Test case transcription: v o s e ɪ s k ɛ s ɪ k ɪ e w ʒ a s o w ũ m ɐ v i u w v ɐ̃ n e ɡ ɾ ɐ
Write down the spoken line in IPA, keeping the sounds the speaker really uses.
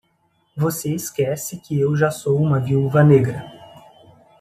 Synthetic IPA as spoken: v o s e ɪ s k ɛ s ɪ k ɪ e w ʒ a s o w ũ m ɐ v i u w v ɐ n e ɡ ɾ ɐ